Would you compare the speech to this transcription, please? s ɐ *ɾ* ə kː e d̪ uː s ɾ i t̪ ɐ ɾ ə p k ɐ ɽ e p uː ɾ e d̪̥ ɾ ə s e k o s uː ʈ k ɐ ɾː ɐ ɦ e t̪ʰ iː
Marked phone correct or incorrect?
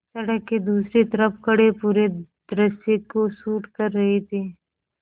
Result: incorrect